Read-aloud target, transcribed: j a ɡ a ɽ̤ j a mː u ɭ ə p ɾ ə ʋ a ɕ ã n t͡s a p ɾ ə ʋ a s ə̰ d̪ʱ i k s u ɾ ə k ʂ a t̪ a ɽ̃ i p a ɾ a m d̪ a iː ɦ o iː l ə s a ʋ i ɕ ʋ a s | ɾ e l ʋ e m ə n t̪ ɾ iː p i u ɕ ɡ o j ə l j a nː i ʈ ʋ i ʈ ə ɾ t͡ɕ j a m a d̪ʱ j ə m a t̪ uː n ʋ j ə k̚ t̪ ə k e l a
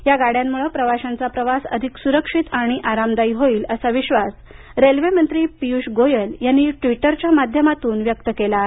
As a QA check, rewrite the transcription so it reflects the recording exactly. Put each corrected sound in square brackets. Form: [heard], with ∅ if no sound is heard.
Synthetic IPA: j a ɡ a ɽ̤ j a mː u ɭ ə p ɾ ə ʋ a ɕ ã n t͡s a p ɾ ə ʋ a s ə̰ d̪ʱ i k s u ɾ ə k ʂ [i] t̪ a ɽ̃ i [ʔ] a ɾ a m d̪ a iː ɦ o iː l ə s a ʋ i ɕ ʋ a s | ɾ e l ʋ e m ə n t̪ ɾ iː p i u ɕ ɡ o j ə l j a nː i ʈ ʋ i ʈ ə ɾ t͡ɕ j a m a d̪ʱ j ə m a t̪ uː n ʋ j ə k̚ t̪ ə k e l a